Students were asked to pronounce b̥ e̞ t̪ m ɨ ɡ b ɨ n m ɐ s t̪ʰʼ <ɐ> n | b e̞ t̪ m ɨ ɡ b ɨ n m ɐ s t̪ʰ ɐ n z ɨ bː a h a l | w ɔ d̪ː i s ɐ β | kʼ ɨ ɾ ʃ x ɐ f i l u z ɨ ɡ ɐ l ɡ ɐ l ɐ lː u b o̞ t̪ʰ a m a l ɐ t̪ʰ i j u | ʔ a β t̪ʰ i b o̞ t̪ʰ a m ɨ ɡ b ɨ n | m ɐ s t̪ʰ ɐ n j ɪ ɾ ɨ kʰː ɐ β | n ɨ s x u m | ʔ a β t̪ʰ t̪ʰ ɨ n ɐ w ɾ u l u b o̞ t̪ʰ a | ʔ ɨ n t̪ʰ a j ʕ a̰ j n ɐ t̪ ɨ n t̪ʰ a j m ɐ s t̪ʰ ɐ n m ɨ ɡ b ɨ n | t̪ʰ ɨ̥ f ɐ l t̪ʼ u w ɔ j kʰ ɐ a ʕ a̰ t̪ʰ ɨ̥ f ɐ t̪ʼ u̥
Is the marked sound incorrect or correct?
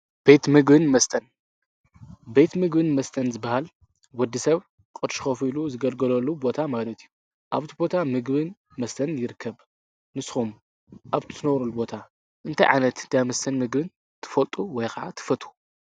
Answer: correct